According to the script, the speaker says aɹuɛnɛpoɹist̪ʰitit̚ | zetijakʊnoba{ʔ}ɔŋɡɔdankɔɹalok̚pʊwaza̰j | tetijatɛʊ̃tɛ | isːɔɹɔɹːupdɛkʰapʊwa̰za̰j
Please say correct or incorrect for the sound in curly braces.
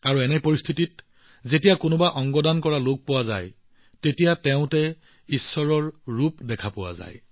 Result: correct